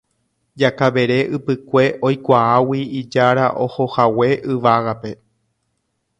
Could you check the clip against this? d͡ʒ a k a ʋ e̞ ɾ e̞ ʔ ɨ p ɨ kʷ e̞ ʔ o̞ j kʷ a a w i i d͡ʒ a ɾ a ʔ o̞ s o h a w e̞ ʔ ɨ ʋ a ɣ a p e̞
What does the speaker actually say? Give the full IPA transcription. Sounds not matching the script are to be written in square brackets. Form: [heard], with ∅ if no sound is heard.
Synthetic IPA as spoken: d͡ʒ a k a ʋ e̞ ɾ e̞ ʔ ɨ p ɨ kʷ e̞ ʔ o̞ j kʷ a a w i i d͡ʒ a ɾ a ʔ o̞ [h] o h a w e̞ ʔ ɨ ʋ a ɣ a p e̞